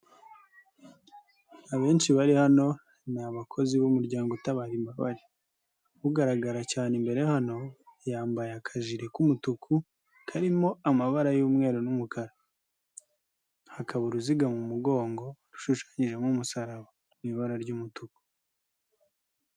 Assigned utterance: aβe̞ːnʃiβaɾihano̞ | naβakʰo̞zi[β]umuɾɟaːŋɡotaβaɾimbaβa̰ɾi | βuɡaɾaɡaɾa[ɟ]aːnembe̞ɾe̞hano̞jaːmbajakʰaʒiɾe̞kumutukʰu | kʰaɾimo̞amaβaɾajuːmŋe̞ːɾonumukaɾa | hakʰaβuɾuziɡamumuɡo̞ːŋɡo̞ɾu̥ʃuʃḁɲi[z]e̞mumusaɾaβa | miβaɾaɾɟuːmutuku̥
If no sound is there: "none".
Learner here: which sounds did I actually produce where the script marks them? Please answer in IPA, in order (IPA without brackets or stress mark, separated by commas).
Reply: β, c, ʒ